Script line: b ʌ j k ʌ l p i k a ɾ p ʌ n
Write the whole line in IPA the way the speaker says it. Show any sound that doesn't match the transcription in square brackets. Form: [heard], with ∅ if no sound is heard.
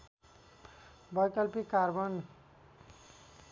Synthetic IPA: b ʌ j k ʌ l p i k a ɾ [b] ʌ n

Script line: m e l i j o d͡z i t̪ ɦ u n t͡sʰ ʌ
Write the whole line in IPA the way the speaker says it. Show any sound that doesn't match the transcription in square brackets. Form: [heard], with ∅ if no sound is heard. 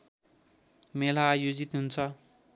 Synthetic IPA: m e l [a] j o d͡z i t̪ ɦ u n t͡sʰ ʌ

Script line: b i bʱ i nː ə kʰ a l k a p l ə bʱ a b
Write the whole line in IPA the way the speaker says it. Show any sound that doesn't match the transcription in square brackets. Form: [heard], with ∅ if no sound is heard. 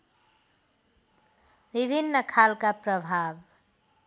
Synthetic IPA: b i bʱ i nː ə kʰ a l k a p [ɾ] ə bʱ a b

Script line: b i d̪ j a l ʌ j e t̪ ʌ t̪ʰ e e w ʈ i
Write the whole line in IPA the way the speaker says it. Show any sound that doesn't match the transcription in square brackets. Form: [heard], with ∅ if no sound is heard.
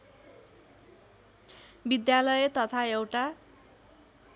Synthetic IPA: b i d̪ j a l ʌ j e t̪ ʌ t̪ʰ [a] e w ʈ [a]

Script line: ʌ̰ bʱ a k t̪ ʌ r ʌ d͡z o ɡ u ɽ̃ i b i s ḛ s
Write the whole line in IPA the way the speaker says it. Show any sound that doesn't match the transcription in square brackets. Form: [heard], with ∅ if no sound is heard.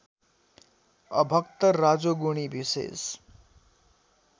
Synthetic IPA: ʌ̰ bʱ [ʌ] k t̪ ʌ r [a] d͡z o ɡ u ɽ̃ i b i s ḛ s

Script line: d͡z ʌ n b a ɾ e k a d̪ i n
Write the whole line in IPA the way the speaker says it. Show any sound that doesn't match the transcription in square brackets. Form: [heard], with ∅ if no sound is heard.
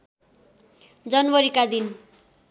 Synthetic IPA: d͡z ʌ n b [ʌ] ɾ [i] k a d̪ i n

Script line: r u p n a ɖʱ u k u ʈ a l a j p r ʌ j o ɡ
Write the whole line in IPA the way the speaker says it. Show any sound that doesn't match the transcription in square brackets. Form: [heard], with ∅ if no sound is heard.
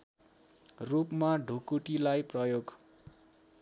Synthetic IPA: r u p [m] a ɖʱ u k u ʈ [i] l a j p r ʌ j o ɡ

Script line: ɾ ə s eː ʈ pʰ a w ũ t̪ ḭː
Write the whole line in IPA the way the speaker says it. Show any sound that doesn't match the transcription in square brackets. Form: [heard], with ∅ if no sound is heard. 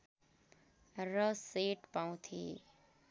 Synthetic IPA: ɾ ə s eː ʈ [p] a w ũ [t̪ʰ] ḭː

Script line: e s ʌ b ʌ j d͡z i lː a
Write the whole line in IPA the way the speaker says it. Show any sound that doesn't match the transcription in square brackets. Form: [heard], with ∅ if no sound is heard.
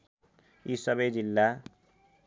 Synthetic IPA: [i] s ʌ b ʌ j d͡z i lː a

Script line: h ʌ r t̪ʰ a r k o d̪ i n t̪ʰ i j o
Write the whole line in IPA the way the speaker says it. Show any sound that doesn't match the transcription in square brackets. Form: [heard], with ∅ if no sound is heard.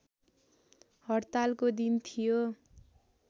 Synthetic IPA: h ʌ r [t̪] a [l] k o d̪ i n t̪ʰ i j o

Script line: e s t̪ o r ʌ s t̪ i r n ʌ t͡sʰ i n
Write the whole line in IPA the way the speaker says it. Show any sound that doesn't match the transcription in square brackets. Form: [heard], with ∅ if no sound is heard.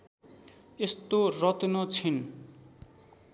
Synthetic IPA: e s t̪ o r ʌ [∅] t̪ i [∅] n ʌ t͡sʰ i n

